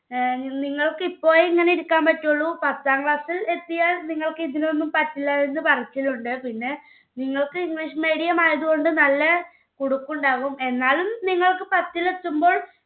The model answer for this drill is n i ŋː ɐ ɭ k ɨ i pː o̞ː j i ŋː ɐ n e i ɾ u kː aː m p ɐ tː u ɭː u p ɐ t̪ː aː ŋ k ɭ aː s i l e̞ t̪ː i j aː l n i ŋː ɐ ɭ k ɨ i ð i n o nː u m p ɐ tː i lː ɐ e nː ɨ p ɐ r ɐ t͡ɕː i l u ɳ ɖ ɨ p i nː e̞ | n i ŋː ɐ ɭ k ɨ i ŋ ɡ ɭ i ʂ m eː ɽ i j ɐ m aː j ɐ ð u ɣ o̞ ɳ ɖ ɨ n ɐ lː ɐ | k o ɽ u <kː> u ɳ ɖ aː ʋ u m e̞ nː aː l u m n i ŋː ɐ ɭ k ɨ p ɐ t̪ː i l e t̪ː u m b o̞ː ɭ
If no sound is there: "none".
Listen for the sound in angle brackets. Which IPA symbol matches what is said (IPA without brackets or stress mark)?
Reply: kː